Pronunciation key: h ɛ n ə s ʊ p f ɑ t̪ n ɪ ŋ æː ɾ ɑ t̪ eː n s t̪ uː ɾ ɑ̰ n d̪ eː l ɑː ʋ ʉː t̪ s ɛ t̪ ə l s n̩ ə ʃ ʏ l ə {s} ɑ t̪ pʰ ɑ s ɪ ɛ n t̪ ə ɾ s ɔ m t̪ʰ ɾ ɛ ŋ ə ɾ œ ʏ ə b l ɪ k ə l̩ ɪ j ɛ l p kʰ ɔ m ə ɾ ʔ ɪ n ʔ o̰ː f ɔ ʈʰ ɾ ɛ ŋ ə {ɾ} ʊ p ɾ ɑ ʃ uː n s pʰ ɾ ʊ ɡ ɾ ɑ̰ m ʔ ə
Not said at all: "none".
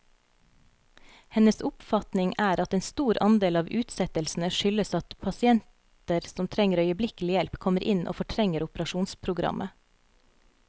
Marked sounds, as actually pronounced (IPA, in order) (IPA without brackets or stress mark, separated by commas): s, ɾ